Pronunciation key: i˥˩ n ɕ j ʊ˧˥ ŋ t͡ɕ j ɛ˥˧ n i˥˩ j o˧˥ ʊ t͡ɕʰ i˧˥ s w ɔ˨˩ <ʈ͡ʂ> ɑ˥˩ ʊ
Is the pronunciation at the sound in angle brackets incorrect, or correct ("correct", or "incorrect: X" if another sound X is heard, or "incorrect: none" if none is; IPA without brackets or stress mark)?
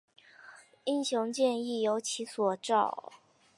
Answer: correct